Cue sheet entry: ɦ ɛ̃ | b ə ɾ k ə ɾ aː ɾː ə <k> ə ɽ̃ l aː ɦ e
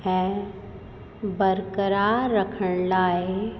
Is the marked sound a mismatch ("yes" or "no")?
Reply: yes